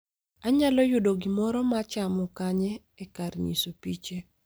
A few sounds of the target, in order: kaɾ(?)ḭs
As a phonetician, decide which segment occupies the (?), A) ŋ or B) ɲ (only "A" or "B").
B